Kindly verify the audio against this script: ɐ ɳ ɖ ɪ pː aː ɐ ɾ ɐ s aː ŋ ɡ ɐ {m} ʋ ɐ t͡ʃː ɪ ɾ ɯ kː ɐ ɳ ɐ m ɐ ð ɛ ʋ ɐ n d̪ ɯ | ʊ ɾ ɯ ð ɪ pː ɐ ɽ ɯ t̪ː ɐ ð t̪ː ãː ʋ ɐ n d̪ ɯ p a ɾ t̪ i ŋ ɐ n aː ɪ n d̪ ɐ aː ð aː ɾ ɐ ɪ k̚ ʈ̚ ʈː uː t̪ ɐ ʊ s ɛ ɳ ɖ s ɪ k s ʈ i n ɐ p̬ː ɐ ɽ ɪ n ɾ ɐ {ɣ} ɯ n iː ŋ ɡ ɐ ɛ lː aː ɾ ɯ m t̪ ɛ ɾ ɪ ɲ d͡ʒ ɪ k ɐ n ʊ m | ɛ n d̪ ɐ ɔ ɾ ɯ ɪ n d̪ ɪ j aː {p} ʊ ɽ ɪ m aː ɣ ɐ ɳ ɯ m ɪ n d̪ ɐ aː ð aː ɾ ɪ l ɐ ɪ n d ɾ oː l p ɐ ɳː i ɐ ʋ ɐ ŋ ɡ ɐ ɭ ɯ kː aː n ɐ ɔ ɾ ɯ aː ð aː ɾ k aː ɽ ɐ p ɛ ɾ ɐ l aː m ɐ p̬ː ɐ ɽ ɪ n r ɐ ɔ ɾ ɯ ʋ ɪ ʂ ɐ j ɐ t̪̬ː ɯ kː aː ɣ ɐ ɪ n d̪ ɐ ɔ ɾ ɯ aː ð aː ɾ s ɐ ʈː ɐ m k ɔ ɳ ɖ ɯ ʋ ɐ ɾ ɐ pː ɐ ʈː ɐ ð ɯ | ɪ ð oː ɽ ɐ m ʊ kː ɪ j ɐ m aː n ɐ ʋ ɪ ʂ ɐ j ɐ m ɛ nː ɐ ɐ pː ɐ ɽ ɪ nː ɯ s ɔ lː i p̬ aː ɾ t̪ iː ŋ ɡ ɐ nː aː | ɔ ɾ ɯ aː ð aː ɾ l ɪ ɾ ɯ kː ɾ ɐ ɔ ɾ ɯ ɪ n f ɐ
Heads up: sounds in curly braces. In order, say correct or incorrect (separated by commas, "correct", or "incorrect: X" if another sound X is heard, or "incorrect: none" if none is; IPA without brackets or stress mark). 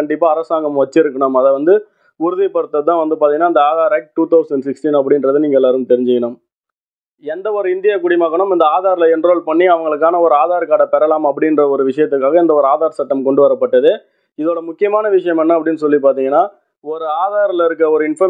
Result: correct, incorrect: ð, incorrect: k